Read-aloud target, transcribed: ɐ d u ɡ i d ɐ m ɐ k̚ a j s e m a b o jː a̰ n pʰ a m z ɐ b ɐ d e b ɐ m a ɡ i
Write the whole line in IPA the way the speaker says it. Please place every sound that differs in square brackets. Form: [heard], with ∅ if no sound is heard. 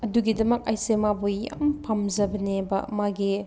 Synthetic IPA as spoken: ɐ d u ɡ i d ɐ m ɐ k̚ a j s e m a b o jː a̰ [m] pʰ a m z ɐ b ɐ [n] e b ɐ m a ɡ i